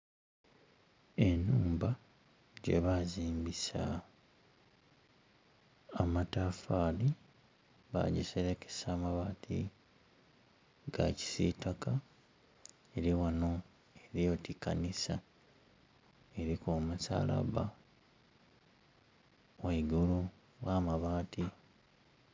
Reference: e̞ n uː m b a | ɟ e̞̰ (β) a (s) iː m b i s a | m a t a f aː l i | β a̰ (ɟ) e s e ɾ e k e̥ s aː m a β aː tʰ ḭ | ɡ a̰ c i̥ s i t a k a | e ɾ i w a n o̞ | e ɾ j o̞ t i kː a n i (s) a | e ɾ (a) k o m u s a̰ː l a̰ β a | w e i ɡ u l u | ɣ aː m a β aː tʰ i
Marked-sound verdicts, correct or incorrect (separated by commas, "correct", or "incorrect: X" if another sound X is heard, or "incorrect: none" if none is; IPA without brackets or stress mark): correct, incorrect: z, correct, correct, incorrect: i